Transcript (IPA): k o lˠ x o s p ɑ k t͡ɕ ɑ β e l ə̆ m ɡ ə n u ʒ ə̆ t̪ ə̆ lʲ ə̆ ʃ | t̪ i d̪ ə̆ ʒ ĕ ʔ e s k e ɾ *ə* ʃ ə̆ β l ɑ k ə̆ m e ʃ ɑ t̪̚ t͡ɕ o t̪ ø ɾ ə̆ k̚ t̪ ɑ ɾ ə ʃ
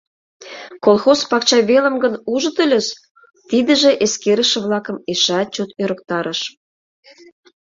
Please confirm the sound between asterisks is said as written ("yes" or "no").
yes